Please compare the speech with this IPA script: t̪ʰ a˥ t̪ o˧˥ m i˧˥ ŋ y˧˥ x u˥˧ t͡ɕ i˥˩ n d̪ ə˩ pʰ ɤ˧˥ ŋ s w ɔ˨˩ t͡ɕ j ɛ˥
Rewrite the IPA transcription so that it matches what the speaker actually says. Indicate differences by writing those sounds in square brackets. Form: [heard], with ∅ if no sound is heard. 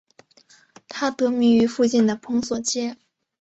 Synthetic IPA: t̪ʰ a˥ t̪ [ɤ˧˥] m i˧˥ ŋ y˧˥ [f] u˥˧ t͡ɕ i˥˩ n d̪ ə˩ pʰ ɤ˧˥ ŋ s w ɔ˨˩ t͡ɕ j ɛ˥